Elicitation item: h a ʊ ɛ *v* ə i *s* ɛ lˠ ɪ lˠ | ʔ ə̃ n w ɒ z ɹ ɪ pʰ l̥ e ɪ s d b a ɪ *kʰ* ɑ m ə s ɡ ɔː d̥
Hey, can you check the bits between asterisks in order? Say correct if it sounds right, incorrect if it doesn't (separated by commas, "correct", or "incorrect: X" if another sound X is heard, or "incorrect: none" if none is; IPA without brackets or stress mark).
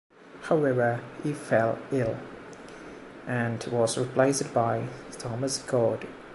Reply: correct, incorrect: f, incorrect: tʰ